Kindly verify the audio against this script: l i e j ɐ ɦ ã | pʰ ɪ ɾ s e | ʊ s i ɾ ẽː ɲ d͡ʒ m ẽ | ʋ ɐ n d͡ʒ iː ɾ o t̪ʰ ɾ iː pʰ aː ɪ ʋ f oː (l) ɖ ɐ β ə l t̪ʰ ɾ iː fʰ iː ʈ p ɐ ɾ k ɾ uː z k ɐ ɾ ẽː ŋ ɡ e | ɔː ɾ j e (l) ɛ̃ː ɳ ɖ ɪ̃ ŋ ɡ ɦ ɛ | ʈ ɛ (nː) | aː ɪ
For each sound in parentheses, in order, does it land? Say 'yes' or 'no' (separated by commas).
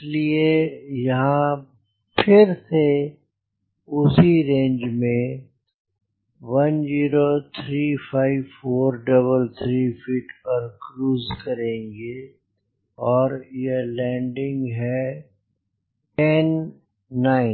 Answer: no, yes, yes